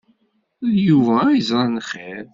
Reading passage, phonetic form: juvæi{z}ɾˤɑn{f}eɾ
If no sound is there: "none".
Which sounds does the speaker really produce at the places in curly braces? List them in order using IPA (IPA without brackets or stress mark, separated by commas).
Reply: z, χ